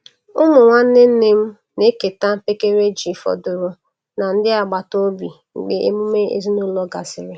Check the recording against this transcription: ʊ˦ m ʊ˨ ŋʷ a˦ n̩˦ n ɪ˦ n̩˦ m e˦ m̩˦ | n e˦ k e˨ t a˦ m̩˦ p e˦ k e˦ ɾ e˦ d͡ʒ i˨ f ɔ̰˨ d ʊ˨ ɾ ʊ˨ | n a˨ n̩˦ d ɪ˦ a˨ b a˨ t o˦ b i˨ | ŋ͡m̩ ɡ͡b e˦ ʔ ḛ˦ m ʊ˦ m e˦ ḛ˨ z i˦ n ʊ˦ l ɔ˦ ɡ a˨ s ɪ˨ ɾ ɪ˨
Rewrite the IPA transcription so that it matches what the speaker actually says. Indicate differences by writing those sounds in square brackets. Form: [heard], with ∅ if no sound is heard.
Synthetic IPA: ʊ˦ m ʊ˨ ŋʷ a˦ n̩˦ n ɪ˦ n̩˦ [n] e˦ m̩˦ | n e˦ k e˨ t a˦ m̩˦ p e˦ k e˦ ɾ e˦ d͡ʒ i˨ f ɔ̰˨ d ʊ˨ ɾ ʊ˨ | n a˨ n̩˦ d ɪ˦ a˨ [ɡ͡b] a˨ t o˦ b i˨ | ŋ͡m̩ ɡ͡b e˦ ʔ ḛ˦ m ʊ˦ m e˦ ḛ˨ z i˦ n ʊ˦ l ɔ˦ ɡ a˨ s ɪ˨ ɾ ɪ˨